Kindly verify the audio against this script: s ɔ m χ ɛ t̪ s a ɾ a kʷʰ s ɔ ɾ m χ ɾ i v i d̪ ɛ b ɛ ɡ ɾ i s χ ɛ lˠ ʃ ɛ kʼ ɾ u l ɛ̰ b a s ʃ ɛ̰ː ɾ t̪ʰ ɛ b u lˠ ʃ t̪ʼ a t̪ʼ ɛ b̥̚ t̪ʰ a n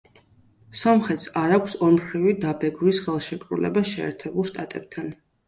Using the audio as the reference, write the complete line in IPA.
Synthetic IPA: s ɔ m χ ɛ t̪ s a ɾ a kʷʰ s ɔ ɾ m χ ɾ i v i d̪ a b ɛ ɡ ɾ i s χ ɛ lˠ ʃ ɛ kʼ ɾ u l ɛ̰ b a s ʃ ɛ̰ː ɾ t̪ʰ ɛ b u lˠ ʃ t̪ʼ a t̪ʼ ɛ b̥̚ t̪ʰ a n